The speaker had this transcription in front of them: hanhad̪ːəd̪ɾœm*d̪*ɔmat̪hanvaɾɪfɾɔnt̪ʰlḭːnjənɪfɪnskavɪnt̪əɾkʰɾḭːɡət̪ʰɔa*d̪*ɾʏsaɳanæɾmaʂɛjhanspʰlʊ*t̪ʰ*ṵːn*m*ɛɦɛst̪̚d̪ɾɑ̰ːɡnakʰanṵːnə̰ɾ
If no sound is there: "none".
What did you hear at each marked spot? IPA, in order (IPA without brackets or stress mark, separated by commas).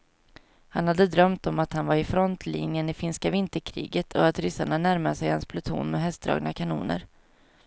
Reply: t̪, t̪, t̪ʰ, m